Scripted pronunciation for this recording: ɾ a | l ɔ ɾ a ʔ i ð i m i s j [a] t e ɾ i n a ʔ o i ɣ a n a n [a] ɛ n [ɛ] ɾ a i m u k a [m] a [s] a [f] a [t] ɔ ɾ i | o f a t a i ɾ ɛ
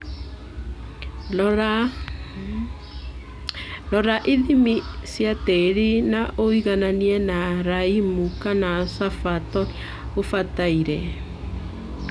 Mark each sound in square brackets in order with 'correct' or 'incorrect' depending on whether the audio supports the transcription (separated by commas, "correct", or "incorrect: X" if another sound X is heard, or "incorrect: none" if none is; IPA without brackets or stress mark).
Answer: correct, incorrect: i, incorrect: a, incorrect: n, correct, correct, correct